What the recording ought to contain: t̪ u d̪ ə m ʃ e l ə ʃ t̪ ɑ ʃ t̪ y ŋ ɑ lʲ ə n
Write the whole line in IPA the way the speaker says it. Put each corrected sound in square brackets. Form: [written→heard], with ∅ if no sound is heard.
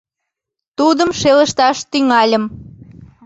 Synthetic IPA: t̪ u d̪ ə m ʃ e l ə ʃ t̪ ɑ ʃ t̪ y ŋ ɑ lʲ ə [n→m]

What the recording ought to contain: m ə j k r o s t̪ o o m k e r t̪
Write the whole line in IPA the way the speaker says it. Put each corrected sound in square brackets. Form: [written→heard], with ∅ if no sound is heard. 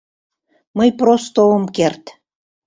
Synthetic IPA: m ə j [k→p] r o s t̪ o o m k e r t̪

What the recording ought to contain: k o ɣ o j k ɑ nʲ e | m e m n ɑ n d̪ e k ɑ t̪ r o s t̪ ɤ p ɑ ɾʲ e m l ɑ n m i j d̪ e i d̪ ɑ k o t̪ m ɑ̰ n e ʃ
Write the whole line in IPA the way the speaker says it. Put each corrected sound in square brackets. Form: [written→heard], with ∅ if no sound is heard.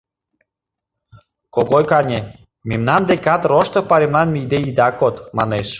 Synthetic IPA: k o ɣ o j k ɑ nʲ e | m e m n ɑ n d̪ e k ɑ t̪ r o [s→ʃ] t̪ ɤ p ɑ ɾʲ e m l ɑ n m i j d̪ e i d̪ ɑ k o t̪ m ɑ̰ n e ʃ

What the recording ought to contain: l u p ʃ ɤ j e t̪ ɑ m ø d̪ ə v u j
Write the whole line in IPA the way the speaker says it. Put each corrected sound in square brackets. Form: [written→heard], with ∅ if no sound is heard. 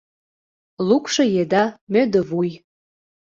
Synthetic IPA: l u [p→k] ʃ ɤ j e [t̪→d̪] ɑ m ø d̪ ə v u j

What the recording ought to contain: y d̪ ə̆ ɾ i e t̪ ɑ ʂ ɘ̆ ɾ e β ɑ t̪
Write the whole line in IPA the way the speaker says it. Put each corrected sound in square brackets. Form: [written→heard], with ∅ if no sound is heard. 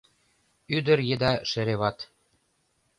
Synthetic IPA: y d̪ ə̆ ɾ [i→j] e [t̪→d̪] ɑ [ʂ→ʃ] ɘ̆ ɾ e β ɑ t̪

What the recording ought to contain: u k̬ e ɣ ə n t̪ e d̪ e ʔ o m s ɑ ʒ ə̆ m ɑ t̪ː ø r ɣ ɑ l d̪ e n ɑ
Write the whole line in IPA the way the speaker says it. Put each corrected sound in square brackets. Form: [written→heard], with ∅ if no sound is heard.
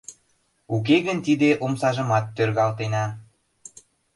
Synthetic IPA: u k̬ e ɣ ə n t̪ [e→i] d̪ e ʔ o m s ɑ ʒ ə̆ m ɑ t̪ː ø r ɣ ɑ l [d̪→t̪] e n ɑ

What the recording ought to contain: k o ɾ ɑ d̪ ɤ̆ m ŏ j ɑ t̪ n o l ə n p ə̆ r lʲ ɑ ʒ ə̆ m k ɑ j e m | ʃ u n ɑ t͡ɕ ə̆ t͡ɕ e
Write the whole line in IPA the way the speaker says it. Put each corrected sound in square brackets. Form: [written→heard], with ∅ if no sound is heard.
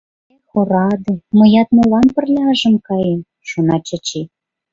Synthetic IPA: [k→x] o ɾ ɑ d̪ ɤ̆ m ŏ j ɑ t̪ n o l [ə→ɑ] n p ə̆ r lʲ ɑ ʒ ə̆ m k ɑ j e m | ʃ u n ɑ t͡ɕ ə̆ t͡ɕ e

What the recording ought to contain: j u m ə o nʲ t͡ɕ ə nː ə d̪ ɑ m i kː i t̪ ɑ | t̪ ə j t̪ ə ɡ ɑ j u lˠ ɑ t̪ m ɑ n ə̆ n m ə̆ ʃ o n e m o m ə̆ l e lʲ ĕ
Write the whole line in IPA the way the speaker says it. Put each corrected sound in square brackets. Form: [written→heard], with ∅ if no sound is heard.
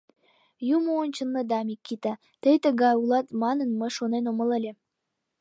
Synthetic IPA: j u m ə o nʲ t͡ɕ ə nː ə d̪ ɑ m i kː i t̪ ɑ | t̪ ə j t̪ ə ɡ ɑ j u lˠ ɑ t̪ m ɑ n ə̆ n m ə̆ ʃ o n e [m→n] o m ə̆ l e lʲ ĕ

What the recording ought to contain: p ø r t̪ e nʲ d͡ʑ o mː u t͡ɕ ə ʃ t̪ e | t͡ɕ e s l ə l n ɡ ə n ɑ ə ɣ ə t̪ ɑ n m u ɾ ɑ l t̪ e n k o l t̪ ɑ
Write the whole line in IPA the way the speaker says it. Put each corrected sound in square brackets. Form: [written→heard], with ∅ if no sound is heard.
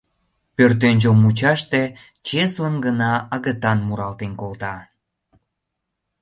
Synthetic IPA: p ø r t̪ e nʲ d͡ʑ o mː u t͡ɕ [ə→ɑ] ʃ t̪ e | t͡ɕ e s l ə [l→∅] n ɡ ə n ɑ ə ɣ ə t̪ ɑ n m u ɾ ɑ l t̪ e n k o l t̪ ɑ

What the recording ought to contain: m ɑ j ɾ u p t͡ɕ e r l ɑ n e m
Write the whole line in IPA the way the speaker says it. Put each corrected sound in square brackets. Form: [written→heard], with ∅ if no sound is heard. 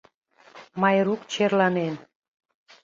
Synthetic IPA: m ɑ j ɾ u [p→k] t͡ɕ e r l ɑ n e [m→n]

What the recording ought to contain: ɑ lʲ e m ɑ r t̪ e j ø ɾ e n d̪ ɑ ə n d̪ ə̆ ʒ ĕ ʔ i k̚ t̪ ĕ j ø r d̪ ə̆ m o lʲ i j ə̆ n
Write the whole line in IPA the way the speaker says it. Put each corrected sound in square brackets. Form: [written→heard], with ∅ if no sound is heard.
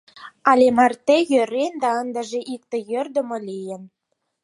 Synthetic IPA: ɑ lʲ e m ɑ r t̪ e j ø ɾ e n d̪ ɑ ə n d̪ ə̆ ʒ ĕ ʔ i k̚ t̪ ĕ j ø r d̪ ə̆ m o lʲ i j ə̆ n

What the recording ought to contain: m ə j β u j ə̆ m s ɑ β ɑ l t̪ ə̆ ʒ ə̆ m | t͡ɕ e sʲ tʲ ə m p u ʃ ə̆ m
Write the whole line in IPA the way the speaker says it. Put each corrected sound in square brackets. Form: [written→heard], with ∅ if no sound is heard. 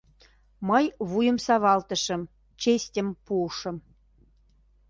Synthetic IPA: m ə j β u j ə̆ m s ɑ β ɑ l t̪ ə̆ [ʒ→ʃ] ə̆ m | t͡ɕ e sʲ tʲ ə m p u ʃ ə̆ m

